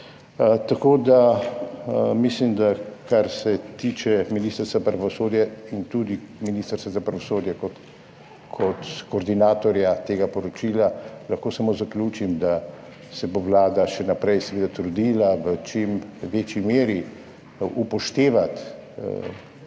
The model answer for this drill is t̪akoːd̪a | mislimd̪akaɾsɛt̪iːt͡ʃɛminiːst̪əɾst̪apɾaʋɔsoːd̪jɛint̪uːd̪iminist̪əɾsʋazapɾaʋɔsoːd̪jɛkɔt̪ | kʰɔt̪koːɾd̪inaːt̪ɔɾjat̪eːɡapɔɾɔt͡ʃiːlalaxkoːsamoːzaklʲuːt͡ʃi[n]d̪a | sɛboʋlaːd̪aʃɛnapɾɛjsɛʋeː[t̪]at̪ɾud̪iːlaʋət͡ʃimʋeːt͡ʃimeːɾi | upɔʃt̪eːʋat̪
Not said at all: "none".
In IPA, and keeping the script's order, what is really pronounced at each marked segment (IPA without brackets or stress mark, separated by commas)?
m, d̪